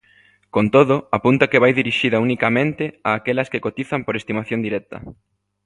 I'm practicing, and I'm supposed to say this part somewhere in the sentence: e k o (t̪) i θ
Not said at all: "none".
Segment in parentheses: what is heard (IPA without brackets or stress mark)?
t̪